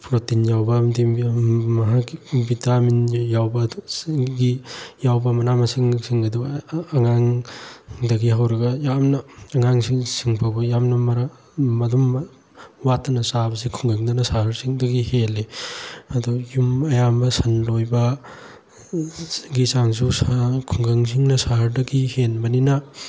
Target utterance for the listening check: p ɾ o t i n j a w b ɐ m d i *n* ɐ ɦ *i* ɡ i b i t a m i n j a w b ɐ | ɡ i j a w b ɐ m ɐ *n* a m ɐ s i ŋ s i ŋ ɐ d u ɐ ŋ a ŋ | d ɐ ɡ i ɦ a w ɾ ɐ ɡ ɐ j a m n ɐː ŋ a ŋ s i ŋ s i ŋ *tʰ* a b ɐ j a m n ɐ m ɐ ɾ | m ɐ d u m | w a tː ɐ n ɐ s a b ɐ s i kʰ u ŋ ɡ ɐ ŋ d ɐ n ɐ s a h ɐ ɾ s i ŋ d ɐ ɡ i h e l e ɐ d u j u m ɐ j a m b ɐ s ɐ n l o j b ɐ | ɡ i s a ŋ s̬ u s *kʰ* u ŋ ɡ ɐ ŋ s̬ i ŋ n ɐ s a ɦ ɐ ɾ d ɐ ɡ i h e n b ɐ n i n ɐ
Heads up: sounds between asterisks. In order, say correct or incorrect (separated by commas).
incorrect, incorrect, correct, incorrect, correct